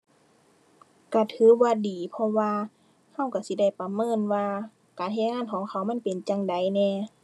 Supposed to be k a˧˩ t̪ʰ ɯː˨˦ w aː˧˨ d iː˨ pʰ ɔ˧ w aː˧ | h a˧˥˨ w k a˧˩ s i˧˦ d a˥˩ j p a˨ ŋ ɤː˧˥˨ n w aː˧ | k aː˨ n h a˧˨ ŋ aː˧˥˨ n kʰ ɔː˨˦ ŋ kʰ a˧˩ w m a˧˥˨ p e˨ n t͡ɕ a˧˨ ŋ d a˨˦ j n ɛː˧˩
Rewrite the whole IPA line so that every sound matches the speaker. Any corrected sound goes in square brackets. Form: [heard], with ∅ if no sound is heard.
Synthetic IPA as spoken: k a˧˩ t̪ʰ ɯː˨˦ w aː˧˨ d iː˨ pʰ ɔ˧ w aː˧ | h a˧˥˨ w k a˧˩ s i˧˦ d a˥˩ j p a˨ [m] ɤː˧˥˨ n w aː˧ | k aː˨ n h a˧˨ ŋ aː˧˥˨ n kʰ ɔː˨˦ ŋ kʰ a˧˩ w m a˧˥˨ p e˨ n t͡ɕ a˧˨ ŋ d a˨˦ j n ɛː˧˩

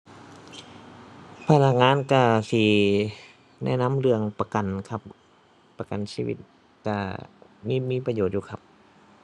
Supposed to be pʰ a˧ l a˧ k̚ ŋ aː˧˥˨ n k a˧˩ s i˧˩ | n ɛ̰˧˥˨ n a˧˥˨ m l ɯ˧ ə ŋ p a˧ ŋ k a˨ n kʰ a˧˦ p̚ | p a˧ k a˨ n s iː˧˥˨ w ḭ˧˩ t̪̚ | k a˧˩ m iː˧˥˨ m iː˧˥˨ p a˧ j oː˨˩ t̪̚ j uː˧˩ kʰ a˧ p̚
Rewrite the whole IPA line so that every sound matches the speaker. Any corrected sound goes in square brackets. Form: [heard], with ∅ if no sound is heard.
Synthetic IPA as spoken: pʰ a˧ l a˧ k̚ ŋ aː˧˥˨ n k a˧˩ s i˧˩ | n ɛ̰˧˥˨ n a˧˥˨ m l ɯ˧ ə ŋ p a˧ [∅] k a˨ n kʰ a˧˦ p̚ | p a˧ k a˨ n s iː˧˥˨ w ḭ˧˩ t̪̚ | k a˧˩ m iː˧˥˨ m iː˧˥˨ p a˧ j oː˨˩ t̪̚ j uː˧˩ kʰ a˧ p̚

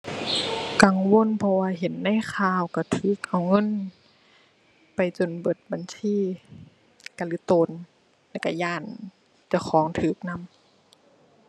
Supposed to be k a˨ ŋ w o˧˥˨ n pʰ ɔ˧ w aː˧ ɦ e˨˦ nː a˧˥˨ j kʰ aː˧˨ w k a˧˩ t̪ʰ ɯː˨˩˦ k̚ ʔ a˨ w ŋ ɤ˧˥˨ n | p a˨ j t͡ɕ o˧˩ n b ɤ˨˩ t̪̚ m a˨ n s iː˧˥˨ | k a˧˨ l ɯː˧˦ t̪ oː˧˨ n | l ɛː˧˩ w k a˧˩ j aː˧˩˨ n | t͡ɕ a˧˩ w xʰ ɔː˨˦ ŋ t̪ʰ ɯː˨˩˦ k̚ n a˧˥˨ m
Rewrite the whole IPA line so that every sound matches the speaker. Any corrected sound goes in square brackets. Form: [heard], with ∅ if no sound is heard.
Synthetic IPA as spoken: k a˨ ŋ w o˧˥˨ n pʰ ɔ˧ w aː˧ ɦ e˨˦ nː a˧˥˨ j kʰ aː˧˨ w k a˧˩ t̪ʰ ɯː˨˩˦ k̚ ʔ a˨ w ŋ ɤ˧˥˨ n | p a˨ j t͡ɕ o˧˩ n b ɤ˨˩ t̪̚ [b] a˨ n s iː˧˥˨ | k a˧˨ l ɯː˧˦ t̪ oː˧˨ n | l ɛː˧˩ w k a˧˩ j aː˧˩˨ n | t͡ɕ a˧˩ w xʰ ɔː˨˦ ŋ t̪ʰ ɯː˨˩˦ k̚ n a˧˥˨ m

